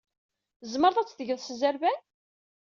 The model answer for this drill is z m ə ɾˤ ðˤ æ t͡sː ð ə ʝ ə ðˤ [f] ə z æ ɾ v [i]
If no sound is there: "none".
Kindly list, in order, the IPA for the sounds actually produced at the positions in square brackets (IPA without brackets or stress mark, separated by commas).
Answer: s, æ